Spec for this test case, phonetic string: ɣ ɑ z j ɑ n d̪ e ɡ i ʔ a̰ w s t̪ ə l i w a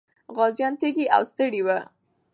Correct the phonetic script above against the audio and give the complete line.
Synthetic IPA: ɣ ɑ z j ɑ n t̪ e ɡ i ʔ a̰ w s t̪ ə ɽ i w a